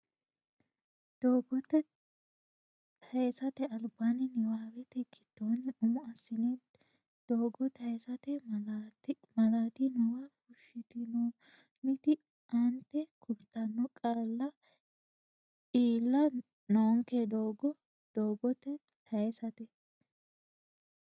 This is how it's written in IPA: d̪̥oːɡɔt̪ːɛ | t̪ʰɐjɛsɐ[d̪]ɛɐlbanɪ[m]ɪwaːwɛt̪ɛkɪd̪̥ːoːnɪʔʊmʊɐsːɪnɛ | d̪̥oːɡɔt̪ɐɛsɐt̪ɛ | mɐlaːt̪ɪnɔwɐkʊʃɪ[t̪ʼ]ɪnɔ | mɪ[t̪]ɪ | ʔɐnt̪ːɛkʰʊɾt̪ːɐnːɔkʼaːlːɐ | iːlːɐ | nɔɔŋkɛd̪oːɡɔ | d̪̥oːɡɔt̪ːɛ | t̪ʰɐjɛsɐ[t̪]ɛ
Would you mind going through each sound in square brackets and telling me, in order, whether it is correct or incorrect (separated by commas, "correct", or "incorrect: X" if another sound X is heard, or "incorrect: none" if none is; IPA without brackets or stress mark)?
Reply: incorrect: t̪, incorrect: n, incorrect: t̪, correct, correct